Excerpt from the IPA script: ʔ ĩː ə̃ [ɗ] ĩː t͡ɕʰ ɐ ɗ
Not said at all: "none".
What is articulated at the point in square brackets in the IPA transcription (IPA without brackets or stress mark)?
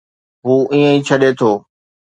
none